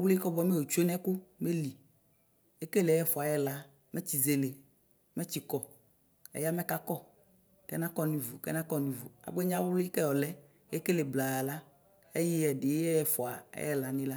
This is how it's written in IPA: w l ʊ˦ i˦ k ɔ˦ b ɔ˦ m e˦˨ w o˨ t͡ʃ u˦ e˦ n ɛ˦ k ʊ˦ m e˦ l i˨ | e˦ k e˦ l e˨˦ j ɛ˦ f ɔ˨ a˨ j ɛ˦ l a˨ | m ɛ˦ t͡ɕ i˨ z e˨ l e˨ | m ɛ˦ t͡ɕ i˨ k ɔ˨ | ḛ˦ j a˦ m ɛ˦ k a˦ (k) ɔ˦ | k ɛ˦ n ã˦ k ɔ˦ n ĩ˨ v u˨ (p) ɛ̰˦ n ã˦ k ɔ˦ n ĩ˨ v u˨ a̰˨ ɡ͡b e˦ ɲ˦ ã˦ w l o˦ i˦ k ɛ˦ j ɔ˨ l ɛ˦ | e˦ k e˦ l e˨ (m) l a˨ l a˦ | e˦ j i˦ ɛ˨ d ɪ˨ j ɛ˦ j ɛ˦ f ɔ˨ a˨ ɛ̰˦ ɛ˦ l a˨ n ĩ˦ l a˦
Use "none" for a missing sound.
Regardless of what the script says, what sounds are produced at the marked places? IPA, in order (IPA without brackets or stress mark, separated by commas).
k, k, b